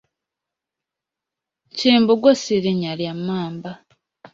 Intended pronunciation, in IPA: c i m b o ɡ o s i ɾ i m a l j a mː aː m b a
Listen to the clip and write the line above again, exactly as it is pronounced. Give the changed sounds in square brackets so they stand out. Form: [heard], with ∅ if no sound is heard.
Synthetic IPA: c [iː] m b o ɡ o s i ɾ i [ɲ] a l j a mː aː m b a

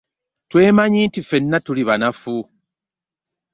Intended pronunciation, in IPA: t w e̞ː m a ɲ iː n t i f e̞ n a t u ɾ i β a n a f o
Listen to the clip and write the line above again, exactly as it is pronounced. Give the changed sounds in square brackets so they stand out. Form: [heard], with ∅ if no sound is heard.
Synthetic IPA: t w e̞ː m a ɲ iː n t i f e̞ [nː] a t u [l] i β a n a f [u]

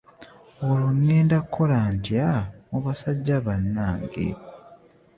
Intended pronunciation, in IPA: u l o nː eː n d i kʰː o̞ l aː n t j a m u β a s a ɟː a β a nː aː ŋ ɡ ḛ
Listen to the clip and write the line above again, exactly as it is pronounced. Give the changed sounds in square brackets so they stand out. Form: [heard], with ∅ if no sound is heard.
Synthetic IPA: [o] l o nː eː n d [a] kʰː o̞ l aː n t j a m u β a s a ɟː a β a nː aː ŋ ɡ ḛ

